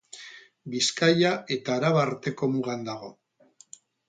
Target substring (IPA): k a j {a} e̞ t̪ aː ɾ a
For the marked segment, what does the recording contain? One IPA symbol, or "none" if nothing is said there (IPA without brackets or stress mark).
a